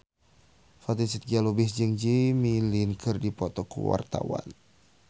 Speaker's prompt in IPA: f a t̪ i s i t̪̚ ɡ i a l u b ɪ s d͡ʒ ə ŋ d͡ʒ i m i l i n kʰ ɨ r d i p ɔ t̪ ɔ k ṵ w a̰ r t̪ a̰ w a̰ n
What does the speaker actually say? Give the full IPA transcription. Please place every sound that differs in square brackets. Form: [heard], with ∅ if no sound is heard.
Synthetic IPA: f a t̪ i s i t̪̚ ɡ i a l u b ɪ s d͡ʒ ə ŋ d͡ʒ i m i l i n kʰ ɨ r d i p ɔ t̪ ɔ k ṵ w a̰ r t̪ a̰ w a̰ n